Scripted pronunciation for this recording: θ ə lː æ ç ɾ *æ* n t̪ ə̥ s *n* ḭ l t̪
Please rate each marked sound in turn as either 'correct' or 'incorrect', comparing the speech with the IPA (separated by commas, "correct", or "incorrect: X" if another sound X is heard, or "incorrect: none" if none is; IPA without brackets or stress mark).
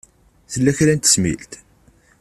correct, incorrect: m